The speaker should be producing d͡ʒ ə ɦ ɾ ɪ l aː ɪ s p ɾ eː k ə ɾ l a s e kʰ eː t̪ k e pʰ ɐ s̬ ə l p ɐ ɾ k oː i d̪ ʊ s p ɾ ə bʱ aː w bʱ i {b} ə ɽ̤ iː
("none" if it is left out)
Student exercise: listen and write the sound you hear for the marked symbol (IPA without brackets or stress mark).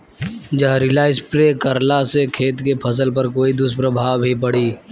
p